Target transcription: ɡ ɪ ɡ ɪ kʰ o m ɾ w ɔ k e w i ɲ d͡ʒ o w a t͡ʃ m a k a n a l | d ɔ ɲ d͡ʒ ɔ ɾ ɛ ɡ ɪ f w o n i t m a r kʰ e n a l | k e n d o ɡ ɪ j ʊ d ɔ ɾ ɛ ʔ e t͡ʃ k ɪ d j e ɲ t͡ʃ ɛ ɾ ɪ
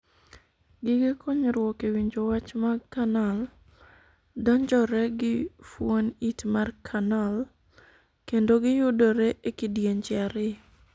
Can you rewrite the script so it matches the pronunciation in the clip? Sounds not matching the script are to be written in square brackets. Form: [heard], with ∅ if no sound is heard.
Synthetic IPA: ɡ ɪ ɡ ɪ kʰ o [ɲ] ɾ w ɔ k e w i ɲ d͡ʒ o w a t͡ʃ m a k a n a l | d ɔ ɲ d͡ʒ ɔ ɾ ɛ ɡ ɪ f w o n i t m a r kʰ [a] n a l | k e n d o ɡ ɪ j ʊ d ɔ ɾ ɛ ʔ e [∅] k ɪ d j e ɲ t͡ʃ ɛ ɾ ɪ